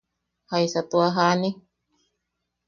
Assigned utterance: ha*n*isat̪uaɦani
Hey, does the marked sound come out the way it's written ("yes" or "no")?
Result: no